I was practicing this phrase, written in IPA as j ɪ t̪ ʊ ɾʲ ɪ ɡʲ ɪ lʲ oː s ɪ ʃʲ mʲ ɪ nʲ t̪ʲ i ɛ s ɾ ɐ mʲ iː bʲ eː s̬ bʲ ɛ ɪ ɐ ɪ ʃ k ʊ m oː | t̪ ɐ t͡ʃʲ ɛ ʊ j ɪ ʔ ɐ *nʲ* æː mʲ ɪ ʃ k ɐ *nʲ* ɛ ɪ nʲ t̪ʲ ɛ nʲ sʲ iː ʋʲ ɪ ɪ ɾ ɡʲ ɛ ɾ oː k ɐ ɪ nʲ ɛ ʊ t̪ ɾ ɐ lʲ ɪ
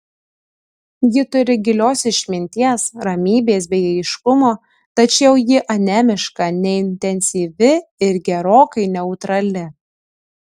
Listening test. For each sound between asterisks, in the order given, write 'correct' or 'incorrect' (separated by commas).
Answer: correct, correct